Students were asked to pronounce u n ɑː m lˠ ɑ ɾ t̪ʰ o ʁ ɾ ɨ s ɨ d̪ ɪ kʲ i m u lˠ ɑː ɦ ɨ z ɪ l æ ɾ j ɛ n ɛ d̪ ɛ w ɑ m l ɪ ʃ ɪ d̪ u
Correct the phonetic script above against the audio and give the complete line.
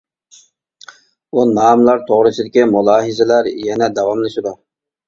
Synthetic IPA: u n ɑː m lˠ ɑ ɾ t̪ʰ o ʁ ɾ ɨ s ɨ d̪ ɪ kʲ i m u lˠ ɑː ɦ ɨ z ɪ l æ ɾ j ɛ n ɛ d̪ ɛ w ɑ m l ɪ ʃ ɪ d̪ u